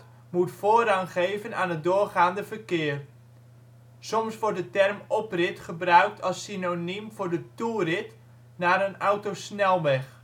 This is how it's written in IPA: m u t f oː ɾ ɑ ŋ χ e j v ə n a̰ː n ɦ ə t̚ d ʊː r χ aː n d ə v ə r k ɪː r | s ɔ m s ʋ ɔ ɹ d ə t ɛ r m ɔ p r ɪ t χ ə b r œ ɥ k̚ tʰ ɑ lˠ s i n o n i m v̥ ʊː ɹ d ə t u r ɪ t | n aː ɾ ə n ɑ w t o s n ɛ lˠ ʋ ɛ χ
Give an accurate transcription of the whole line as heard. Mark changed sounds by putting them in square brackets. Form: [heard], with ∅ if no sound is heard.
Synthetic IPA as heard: m u t f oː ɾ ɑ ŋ χ e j v ə n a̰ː n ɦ ə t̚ d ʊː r χ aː n d ə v ə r k ɪː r | s ɔ m s ʋ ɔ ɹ d ə t ɛ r m ɔ p r ɪ t χ ə b r œ ɥ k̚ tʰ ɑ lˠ s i n o n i m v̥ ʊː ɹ d ə t u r ɪ t | n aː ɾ ə n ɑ w t o s n ɛ lˠ ʋ ɛ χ

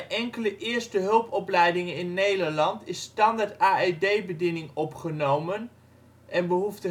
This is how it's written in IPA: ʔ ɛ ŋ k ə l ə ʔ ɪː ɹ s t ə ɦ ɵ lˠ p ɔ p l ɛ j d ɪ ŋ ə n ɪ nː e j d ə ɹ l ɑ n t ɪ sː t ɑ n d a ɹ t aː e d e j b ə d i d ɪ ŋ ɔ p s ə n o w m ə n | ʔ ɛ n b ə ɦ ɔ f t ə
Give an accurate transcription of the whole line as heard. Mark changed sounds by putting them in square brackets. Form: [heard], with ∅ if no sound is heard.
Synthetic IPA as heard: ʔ ɛ ŋ k ə l ə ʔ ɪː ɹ s t ə ɦ ɵ lˠ p ɔ p l ɛ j d ɪ ŋ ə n ɪ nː e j d ə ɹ l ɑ n t ɪ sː t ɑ n d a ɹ t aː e d e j b ə d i [n] ɪ ŋ ɔ p [χ] ə n o w m ə n | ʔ ɛ n b ə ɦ [u] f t ə

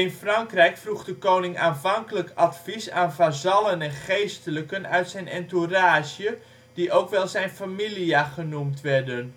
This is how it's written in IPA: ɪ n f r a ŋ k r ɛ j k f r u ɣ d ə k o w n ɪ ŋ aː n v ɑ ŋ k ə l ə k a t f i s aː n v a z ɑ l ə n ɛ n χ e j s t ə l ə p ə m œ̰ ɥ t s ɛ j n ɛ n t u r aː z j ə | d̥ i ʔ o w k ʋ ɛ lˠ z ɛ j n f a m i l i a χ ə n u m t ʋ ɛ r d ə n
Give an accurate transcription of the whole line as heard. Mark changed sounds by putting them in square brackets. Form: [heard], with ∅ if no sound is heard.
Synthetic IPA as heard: ɪ n f r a ŋ k r ɛ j k f r u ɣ d ə k o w n ɪ ŋ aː n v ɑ ŋ k ə l ə k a t f i s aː n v a z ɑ l ə n ɛ n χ e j s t ə l ə [k] ə [n] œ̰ ɥ t s ɛ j n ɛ n t u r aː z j ə | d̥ i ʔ o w k ʋ ɛ lˠ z ɛ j n f a m i l i a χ ə n u m t ʋ ɛ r d ə n

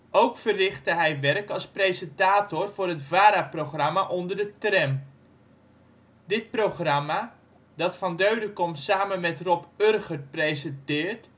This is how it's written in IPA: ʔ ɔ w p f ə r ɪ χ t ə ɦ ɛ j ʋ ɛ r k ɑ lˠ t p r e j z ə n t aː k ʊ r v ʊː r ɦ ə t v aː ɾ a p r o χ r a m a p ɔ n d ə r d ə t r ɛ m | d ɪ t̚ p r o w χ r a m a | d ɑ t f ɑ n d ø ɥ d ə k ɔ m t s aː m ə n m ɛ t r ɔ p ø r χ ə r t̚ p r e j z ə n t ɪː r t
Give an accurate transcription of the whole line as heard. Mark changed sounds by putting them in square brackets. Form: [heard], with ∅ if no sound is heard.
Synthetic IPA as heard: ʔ [o] w [k] f ə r ɪ χ t ə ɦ ɛ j ʋ ɛ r k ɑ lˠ [s] p r e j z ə n t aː [t] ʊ r v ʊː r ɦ ə t v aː ɾ a p r o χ r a m a [ʔ] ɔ n d ə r d ə t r ɛ m | d ɪ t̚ p r o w χ r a m a | d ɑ t f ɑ n d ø ɥ d ə k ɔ m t s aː m ə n m ɛ t r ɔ p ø r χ ə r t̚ p r e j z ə n t ɪː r t

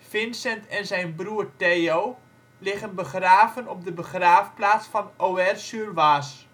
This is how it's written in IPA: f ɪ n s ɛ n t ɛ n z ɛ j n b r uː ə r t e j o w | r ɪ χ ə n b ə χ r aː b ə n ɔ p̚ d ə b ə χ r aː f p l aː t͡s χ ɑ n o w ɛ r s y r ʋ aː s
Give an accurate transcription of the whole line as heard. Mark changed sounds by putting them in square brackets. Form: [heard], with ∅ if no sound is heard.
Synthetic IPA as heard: f ɪ n s ɛ n t ɛ n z ɛ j n b r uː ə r t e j o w | [l] ɪ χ ə n b ə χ r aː [v] ə n ɔ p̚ d ə b ə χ r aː f p l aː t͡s [f] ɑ n o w ɛ r s y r ʋ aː s

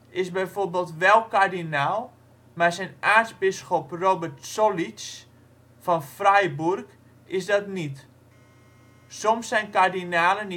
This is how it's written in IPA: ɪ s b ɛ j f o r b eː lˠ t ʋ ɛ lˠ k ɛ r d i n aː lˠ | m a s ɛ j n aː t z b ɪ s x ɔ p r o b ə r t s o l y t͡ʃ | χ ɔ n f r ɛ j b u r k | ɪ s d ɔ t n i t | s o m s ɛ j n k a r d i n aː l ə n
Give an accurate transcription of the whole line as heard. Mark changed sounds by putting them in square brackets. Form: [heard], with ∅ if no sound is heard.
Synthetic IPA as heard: ɪ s b ɛ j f o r b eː lˠ t ʋ ɛ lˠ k [a] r d i n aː lˠ | m a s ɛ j n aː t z b ɪ s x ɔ p r o b ə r t s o l [i] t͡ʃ | [f] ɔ n f r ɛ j b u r k | ɪ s d ɔ t n i t | s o m s ɛ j n k a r d i n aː l ə n

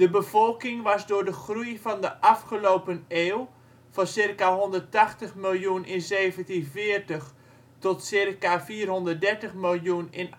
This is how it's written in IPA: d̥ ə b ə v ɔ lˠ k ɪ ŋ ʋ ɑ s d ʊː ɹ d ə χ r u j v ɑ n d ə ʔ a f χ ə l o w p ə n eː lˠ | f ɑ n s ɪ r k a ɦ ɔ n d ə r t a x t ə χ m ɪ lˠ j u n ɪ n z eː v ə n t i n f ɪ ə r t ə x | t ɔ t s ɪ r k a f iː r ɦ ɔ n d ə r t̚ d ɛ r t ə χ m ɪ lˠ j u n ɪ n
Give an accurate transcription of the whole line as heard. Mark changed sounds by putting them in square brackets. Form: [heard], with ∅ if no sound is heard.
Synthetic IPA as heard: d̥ ə b ə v ɔ lˠ k ɪ ŋ ʋ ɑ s d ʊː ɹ d ə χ r u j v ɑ n d ə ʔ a f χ ə l o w p ə n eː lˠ | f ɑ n s ɪ r k a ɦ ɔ n d ə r t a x t ə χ m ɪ lˠ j u n ɪ n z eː v ə n t i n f ɪ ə r t ə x | t ɔ t s ɪ r k a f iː r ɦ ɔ n d ə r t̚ d ɛ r t ə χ m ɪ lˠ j u n ɪ n

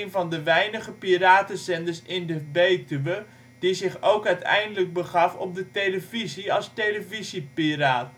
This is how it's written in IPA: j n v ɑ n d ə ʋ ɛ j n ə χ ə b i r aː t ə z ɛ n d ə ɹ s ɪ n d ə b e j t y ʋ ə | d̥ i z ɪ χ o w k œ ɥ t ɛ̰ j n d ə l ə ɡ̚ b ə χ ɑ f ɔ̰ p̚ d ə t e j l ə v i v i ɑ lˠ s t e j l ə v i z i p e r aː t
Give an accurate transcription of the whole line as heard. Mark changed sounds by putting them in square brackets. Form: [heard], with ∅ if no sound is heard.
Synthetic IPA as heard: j n v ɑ n d ə ʋ ɛ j n ə χ ə [p] i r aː t ə z ɛ n d ə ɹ s ɪ n d ə b e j t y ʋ ə | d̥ i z ɪ χ o w k œ ɥ t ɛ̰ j n d ə l ə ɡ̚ b ə χ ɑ f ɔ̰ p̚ d ə t e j l ə v i [z] i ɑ lˠ s t e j l ə v i z i p [i] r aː t

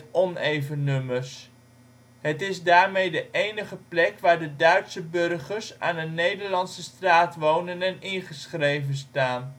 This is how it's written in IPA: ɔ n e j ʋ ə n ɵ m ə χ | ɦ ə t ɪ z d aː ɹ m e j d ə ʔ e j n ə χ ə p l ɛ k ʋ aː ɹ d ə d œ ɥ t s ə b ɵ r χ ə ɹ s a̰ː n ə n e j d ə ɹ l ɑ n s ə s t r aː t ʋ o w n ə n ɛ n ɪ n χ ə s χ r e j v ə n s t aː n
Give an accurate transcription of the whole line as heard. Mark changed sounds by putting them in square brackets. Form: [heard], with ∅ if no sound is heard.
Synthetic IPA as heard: ɔ n e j [v] ə n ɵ m ə [s] | ɦ ə t ɪ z d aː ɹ m e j d ə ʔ e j n ə χ ə p l ɛ k ʋ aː ɹ d ə d œ ɥ t s ə b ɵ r χ ə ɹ s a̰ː n ə n e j d ə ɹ l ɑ n s ə s t r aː t ʋ o w n ə n ɛ n ɪ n χ ə s χ r e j v ə n s t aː n

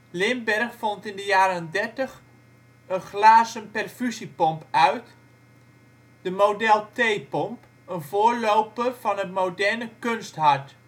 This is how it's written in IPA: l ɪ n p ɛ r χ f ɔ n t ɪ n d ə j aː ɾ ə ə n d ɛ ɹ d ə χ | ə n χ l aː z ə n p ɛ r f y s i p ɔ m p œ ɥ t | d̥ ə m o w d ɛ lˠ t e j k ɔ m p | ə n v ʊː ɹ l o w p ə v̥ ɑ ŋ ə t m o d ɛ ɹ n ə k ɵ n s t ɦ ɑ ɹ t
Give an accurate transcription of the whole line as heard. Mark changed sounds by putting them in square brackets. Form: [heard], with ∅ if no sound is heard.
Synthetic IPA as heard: l ɪ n [b] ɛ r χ f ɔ n t ɪ n d ə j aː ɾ ə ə n d ɛ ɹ [t] ə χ | ə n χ l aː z ə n p ɛ r f y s i p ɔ m p œ ɥ t | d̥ ə m o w d ɛ lˠ t e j [p] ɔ m p | ə n v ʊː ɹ l o w p ə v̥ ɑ [n] ə t m o d ɛ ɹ n ə k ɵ n s t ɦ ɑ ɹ t

